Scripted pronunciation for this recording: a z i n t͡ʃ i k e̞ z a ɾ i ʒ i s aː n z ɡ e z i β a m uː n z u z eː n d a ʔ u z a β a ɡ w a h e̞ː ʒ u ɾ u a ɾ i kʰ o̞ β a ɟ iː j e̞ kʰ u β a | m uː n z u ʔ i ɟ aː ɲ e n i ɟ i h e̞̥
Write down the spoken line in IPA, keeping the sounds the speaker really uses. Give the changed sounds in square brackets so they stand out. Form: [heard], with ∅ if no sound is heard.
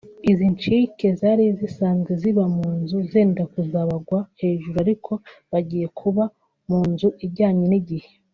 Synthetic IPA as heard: [i] z i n t͡ʃ i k e̞ z a ɾ i [z] i s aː n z ɡ e z i β a m uː n z u z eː n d a [k] u z a β a ɡ w a h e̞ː ʒ u ɾ u a ɾ i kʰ o̞ β a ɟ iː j e̞ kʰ u β a | m uː n z u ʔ i ɟ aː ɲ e n i ɟ i h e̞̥